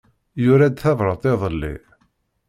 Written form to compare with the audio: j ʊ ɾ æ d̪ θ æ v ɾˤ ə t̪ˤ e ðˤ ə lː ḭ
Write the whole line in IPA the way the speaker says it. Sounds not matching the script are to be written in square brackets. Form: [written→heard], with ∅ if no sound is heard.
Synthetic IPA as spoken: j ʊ ɾ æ d̪ θ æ v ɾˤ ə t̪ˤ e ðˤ ə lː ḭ

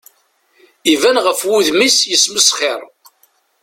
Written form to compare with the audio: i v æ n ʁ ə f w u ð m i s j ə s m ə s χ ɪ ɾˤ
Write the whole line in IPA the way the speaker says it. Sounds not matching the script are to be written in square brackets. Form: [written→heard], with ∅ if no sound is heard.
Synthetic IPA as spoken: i v æ n ʁ ə f w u ð m i s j ə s m ə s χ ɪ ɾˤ

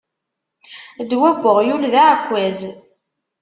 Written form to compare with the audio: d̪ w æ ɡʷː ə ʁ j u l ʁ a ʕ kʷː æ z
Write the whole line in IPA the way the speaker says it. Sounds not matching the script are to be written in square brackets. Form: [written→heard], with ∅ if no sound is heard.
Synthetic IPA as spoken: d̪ w æ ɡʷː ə ʁ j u l [ʁ→ð] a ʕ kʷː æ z

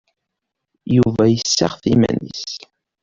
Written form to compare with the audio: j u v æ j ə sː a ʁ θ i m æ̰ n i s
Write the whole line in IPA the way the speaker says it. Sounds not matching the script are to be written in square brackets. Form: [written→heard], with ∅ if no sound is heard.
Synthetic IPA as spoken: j u v æ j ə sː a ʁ θ i m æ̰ n i s

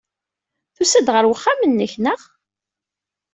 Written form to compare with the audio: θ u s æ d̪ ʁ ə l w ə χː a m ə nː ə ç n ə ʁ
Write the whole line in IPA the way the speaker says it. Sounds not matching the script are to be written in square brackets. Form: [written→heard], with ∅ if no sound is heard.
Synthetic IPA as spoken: θ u s æ d̪ ʁ ə [l→ɾ] w ə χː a m ə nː ə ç n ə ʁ

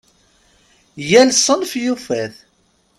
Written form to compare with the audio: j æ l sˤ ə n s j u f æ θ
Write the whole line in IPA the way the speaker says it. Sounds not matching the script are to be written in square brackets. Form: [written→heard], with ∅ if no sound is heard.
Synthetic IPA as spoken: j æ l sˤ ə n [s→f] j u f æ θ

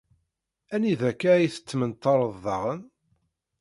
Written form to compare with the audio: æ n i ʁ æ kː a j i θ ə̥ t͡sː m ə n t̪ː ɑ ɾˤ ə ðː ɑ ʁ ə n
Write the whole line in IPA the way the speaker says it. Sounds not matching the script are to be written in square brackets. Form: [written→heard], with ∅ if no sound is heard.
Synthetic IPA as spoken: æ n i [ʁ→ð] æ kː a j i θ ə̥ t͡sː m ə n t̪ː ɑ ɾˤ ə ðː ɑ ʁ ə n

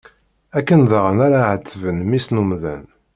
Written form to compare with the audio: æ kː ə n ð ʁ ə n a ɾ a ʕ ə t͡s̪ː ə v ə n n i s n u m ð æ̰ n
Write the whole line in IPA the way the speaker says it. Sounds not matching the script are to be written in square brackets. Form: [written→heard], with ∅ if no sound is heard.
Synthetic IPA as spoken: æ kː ə n ð ʁ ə n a ɾ a ʕ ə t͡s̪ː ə v ə n [n→m] i s n u m ð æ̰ n

